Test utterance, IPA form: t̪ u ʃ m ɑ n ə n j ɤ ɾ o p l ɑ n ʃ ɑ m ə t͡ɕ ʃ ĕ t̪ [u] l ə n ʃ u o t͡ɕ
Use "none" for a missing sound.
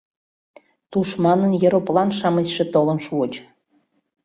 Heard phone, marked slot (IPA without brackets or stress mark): o